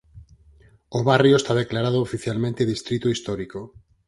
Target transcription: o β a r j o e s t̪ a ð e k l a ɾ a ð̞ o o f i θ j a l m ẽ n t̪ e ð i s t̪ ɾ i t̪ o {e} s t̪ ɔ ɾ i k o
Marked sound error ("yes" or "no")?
yes